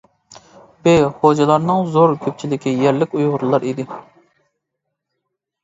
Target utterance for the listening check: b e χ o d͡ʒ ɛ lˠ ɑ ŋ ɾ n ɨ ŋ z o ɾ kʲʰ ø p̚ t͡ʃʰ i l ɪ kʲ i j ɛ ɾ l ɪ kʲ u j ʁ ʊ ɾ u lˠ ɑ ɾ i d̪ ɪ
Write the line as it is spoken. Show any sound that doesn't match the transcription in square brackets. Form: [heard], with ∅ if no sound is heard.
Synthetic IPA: b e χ o d͡ʒ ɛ lˠ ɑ [∅] ɾ n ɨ ŋ z o ɾ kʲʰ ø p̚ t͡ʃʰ i l ɪ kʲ i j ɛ ɾ l ɪ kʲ u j ʁ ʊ ɾ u lˠ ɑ ɾ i d̪ ɪ